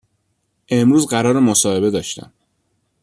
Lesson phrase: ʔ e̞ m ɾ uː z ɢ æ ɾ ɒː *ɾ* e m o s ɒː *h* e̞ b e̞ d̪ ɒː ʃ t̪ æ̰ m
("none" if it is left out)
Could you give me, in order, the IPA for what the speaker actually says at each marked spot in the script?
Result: ɾ, h

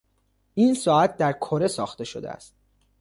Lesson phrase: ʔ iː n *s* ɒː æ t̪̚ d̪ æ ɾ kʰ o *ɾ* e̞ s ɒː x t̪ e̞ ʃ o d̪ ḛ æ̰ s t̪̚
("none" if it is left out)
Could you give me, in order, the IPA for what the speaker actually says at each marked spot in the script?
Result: s, ɾ

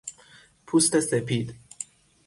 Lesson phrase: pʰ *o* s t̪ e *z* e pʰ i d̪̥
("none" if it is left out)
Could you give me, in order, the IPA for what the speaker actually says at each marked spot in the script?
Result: u, s

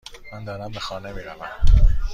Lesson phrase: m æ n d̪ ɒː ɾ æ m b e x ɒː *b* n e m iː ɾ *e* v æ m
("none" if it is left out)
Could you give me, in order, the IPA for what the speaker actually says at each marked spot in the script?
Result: none, æ

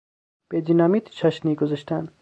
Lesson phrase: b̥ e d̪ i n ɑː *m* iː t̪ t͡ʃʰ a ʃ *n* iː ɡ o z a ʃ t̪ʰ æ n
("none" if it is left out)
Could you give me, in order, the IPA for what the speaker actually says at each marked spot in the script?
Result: m, n

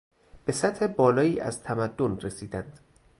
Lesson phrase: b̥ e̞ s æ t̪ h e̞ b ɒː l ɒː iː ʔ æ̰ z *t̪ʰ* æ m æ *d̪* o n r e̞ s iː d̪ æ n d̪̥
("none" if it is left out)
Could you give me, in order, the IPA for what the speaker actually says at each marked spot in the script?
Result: t̪ʰ, d̪ː

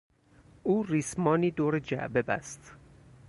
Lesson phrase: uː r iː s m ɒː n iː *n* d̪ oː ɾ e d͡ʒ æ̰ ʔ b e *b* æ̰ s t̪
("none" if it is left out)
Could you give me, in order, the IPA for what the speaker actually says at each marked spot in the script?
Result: none, b

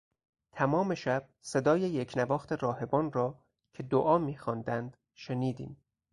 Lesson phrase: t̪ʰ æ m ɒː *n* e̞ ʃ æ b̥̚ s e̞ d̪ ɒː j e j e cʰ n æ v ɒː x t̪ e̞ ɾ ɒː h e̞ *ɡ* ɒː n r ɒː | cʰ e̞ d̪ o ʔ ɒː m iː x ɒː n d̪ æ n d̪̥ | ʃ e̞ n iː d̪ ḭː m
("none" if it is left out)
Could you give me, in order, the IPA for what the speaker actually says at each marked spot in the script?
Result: m, b

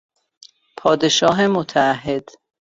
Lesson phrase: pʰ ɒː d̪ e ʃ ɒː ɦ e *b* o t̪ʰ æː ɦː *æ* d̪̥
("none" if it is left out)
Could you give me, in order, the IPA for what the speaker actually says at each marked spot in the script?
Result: m, e

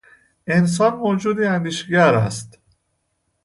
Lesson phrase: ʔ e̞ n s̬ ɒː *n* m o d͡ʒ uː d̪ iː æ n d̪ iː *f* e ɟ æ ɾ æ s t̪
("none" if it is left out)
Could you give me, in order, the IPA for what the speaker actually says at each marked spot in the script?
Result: n, ʃ

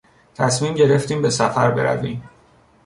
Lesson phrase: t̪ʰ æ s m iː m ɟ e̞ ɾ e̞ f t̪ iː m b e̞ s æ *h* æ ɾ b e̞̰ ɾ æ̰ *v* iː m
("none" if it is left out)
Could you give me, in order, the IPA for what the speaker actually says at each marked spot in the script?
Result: f, v

